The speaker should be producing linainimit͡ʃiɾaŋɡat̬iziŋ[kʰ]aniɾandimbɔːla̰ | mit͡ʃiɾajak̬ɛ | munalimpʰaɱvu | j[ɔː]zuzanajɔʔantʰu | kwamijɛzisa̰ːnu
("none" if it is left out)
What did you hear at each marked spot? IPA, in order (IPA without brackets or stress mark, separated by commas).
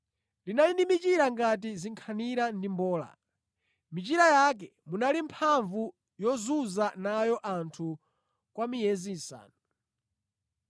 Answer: kʰ, ɔ